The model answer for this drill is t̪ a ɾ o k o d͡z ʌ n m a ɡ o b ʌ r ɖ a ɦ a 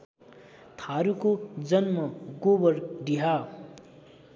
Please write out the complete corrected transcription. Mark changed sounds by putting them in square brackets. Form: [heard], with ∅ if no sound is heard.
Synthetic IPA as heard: [t̪ʰ] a ɾ [u] k o d͡z ʌ n m [ʌ] ɡ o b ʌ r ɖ [i] ɦ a